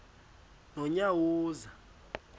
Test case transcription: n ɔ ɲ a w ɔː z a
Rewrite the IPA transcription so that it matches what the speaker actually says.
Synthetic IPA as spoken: n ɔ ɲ a w uː z a